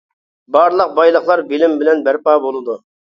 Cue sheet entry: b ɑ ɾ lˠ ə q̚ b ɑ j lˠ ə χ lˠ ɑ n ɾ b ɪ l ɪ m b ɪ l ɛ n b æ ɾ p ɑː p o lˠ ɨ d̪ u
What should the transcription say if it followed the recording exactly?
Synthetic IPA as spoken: b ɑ ɾ lˠ ə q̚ b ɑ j lˠ ə χ lˠ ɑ ɾ b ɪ l ɪ m b ɪ l ɛ n b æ ɾ p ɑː b o lˠ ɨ d̪ u